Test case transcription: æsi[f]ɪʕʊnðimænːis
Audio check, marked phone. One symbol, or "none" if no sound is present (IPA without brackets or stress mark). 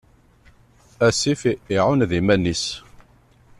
f